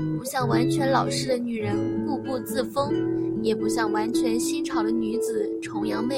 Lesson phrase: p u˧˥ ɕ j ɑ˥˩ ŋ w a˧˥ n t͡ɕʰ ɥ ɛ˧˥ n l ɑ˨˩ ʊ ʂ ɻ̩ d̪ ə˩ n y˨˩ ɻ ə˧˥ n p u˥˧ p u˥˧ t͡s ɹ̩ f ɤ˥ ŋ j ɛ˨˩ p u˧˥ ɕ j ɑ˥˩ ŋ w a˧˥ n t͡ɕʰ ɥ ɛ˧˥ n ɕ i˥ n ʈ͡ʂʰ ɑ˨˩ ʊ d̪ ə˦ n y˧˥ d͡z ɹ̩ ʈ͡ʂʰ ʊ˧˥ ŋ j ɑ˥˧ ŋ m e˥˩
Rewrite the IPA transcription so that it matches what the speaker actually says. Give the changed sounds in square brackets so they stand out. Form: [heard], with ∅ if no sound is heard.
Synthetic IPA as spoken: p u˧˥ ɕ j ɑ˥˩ ŋ w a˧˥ n t͡ɕʰ ɥ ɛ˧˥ n l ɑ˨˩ ʊ ʂ ɻ̩ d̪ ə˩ n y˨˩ ɻ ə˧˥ n [k] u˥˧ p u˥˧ t͡s ɹ̩ f ɤ˥ ŋ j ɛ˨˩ p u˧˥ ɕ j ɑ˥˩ ŋ w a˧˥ n t͡ɕʰ ɥ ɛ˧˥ n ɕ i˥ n ʈ͡ʂʰ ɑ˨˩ ʊ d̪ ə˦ n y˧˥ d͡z ɹ̩ ʈ͡ʂʰ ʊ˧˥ ŋ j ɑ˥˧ ŋ m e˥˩